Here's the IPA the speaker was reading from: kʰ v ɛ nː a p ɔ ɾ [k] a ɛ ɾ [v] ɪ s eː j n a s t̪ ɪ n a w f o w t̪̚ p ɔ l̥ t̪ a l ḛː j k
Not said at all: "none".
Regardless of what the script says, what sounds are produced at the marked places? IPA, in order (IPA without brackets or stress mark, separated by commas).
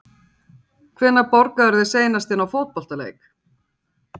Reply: k, ð